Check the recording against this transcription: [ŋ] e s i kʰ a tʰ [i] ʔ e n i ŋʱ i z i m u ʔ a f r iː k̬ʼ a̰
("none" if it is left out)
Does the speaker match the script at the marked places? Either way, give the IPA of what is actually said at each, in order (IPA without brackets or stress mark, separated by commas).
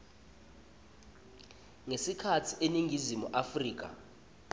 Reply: ŋ, i